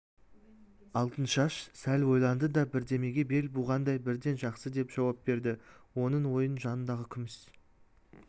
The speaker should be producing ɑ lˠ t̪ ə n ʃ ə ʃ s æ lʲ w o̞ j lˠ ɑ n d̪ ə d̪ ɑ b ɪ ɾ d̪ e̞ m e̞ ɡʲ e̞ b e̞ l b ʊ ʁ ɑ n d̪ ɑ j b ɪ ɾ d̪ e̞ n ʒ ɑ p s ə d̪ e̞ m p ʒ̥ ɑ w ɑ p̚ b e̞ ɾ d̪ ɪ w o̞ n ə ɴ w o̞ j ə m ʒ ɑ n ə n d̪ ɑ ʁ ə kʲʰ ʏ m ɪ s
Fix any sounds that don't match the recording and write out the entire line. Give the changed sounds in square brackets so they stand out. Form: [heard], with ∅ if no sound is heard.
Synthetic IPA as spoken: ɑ lˠ t̪ ə n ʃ [ɑ] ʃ s æ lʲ w o̞ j lˠ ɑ n d̪ ə d̪ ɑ b ɪ ɾ d̪ e̞ m e̞ ɡʲ e̞ b e̞ l b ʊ ʁ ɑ n d̪ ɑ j b ɪ ɾ d̪ e̞ n ʒ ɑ [q] s ə d̪ e̞ [∅] p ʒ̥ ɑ w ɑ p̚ b e̞ ɾ d̪ ɪ w o̞ n ə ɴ w o̞ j ə [n] ʒ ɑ n ə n d̪ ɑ ʁ ə kʲʰ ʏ m ɪ s